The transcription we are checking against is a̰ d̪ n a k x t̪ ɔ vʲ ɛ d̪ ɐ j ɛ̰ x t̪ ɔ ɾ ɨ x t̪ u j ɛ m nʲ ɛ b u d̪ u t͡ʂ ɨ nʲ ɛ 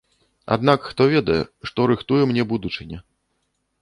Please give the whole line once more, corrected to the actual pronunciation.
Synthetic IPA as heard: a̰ d̪ n a k x t̪ ɔ vʲ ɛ d̪ ɐ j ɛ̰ ʂ t̪ ɔ ɾ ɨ x t̪ u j ɛ m nʲ ɛ b u d̪ u t͡ʂ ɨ nʲ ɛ